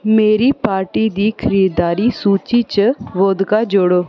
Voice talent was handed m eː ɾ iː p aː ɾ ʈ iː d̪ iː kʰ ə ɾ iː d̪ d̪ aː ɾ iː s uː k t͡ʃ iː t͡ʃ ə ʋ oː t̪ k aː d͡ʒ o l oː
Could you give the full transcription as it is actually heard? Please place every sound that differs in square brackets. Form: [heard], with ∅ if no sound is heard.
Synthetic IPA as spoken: m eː ɾ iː p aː ɾ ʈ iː d̪ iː kʰ ə ɾ iː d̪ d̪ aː ɾ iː s uː [∅] t͡ʃ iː t͡ʃ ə ʋ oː [d̪] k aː d͡ʒ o [ɽ] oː